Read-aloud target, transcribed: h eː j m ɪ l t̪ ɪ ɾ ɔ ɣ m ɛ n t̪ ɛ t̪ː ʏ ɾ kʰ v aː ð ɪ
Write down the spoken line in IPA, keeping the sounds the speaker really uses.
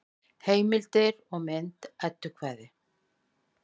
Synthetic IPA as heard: h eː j m ɪ l t̪ ɪ ɾ ɔ ɣ m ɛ n t̪ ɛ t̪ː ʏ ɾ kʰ v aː ð ɪ